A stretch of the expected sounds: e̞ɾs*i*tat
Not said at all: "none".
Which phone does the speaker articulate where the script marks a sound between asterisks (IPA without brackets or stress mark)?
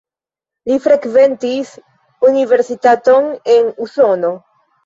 i